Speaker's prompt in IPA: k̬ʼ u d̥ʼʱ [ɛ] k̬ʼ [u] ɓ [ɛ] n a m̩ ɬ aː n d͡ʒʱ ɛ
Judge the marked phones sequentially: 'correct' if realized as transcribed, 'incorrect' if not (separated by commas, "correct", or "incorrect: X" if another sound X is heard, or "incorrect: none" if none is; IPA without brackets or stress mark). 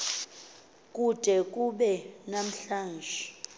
correct, correct, correct